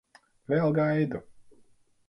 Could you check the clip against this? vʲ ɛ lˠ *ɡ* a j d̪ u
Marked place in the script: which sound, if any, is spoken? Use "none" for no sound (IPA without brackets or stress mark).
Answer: ɡ